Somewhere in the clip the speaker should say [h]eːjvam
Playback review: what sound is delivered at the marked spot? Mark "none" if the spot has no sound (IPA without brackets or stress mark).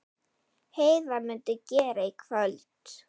h